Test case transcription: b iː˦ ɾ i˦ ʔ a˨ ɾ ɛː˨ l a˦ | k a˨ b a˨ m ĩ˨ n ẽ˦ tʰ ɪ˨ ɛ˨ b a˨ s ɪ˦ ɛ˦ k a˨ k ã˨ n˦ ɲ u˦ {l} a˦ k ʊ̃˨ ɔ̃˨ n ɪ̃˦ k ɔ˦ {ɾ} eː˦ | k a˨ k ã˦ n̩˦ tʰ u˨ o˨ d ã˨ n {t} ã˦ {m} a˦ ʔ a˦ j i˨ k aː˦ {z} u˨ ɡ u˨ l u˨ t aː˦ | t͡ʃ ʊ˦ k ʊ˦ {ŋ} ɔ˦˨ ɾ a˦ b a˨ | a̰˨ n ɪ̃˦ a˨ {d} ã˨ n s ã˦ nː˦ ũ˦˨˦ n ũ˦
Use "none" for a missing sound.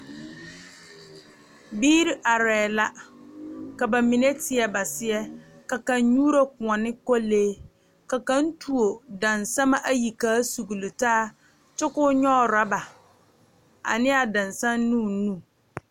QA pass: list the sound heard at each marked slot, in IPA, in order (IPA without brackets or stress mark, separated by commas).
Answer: ɾ, l, s, m, s, ɲ, d